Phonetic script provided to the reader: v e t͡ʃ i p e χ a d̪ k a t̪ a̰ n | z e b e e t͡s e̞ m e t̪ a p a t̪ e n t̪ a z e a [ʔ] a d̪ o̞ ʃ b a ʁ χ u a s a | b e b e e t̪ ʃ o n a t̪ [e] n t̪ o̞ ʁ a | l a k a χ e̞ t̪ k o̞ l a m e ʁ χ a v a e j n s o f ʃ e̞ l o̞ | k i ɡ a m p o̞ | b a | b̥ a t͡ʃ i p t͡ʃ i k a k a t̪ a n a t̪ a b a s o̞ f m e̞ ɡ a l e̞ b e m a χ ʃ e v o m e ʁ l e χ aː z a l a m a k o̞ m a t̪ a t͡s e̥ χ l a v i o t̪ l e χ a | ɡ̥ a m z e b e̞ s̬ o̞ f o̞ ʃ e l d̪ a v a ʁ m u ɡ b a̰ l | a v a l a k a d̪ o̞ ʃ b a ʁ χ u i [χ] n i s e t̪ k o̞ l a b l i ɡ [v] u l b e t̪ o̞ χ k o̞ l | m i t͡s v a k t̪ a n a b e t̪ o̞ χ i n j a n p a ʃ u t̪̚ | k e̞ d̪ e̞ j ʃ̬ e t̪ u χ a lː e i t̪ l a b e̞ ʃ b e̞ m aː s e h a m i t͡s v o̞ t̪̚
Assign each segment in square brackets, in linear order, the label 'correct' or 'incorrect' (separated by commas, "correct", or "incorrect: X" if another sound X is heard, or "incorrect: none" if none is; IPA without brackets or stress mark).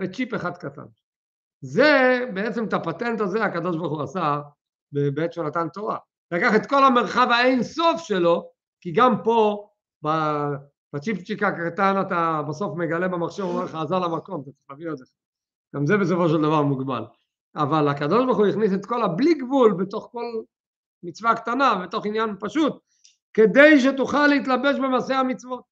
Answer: incorrect: k, incorrect: a, correct, correct